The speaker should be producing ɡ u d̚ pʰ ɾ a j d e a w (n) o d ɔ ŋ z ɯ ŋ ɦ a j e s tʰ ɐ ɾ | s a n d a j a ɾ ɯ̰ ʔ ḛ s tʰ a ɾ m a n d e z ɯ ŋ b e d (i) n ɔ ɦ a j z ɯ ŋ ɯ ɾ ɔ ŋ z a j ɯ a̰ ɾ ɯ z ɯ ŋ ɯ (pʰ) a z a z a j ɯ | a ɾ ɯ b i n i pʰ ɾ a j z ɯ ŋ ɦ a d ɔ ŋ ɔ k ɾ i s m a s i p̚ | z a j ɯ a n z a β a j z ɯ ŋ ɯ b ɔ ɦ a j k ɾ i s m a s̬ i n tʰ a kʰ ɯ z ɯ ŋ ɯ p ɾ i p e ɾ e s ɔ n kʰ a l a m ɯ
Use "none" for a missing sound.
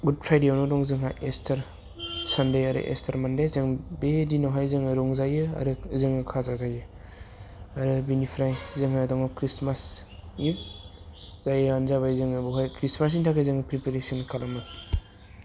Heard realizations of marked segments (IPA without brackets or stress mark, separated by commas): n, i, kʰ